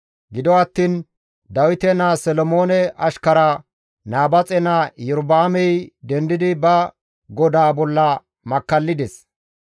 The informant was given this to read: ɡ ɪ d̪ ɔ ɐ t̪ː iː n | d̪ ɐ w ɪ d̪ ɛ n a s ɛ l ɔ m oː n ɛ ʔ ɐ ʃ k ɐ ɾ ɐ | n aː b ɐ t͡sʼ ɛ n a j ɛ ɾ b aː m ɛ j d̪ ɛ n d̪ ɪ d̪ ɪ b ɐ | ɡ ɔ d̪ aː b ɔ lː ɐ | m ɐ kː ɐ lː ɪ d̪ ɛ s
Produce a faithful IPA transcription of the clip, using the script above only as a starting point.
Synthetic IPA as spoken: ɡ ɪ d̪ ɔ ɐ t̪ː iː n | d̪ ɐ w ɪ t̪ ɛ n a s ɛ l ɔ m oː n ɛ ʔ ɐ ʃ k ɐ ɾ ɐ | n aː b ɐ t͡sʼ ɛ n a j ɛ ɾ b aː m ɛ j d̪ ɛ n d̪ ɪ d̪ ɪ b ɐ | ɡ ɔ d̪ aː b ɔ lː ɐ | m ɐ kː ɐ lː ɪ d̪ ɛ s